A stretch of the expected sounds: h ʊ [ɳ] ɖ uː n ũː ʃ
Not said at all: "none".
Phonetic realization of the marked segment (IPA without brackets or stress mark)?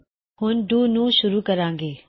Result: n